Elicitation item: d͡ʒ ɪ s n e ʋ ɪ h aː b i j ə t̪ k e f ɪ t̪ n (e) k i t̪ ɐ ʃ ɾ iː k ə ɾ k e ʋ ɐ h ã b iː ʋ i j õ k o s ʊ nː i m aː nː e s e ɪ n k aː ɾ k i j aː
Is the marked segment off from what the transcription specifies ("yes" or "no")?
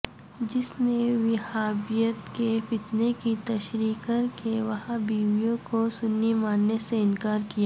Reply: no